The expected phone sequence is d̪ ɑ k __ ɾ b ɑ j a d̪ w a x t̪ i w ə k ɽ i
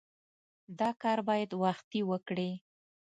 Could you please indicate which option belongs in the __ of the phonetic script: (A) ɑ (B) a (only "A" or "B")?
A